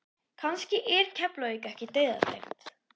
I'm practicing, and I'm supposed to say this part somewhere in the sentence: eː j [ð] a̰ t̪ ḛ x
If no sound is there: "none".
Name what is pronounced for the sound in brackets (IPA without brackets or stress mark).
ð